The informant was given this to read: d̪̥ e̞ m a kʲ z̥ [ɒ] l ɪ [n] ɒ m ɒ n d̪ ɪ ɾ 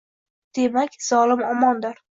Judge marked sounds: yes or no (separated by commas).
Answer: yes, no